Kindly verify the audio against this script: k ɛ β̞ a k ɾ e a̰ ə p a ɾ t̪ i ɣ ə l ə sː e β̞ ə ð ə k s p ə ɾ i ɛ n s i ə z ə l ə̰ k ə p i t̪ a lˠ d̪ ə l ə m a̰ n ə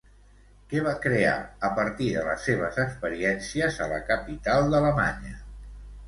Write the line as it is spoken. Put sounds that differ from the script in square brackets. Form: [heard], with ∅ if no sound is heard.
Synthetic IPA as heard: k ɛ β̞ a k ɾ e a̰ ə p [ə] ɾ t̪ i [ð] ə l ə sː e β̞ ə [z] ə k s p ə ɾ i ɛ n s i ə z ə l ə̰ k ə p i t̪ a lˠ d̪ ə l ə m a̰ [ɲ] ə